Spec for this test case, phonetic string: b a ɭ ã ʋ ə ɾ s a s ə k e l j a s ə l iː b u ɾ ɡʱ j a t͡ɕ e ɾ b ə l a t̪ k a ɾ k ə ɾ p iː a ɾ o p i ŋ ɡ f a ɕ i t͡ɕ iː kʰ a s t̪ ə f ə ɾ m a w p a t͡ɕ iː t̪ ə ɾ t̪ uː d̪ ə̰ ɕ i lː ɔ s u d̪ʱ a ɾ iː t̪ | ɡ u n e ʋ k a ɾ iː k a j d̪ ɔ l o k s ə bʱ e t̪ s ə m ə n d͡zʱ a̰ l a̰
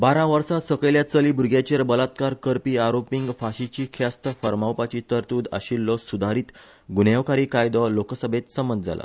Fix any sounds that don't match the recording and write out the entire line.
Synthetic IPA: b a ɾ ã ʋ ə ɾ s a s ə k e l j a t͡s ə l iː b u ɾ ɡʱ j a t͡ɕ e ɾ b ə l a t̪ k a ɾ k ə ɾ p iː a ɾ o p i ŋ ɡ f a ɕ i t͡ɕ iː kʰ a s t̪ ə f ə ɾ m a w p a t͡ɕ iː t̪ ə ɾ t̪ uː d̪ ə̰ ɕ i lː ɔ s u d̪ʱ a ɾ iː t̪ | ɡ u n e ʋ k a ɾ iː k a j d̪ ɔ l o k s ə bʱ e t̪ s ə m ə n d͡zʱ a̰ l a̰

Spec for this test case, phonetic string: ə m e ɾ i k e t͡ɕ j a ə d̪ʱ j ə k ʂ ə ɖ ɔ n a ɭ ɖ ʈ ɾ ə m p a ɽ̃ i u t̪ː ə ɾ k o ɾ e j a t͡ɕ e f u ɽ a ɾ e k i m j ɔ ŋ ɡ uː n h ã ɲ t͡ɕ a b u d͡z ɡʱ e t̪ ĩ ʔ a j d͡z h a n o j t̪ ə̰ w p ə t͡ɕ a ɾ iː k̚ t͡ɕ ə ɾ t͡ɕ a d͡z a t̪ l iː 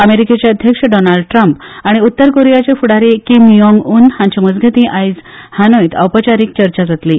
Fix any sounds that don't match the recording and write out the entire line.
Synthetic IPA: ə m e ɾ i k e t͡ɕ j a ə d̪ʱ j ə k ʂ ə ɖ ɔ n a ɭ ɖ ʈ ɾ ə m p a ɽ̃ i u t̪ː ə ɾ k o ɾ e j a t͡ɕ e f u ɽ a ɾ e k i m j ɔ ŋ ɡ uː n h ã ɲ t͡ɕ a m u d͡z ɡʱ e t̪ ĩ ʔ a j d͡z h a n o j t̪ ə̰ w p ə t͡ɕ a ɾ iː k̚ t͡ɕ ə ɾ t͡ɕ a d͡z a t̪ l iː

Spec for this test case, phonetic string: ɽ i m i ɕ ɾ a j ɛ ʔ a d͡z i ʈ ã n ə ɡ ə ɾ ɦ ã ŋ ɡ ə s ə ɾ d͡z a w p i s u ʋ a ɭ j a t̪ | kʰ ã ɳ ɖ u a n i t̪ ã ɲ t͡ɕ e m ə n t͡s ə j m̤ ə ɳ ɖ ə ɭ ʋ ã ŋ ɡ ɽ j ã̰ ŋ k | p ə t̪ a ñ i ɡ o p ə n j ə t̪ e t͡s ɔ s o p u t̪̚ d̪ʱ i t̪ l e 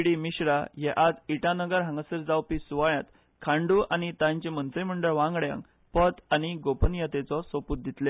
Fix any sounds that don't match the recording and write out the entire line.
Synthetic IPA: ɽ i m i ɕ ɾ a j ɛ ʔ a d͡z i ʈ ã n ə ɡ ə ɾ ɦ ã ŋ ɡ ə s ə ɾ d͡z a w p i s u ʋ a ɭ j a t̪ | kʰ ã ɳ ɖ u a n i t̪ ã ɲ t͡ɕ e m ə n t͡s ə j m̤ ə ɳ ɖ ə ɭ ʋ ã ŋ ɡ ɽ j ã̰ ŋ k | p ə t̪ a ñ i ɡ o p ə n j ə t̪ e t͡s ɔ s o p u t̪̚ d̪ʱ i t̪ l e

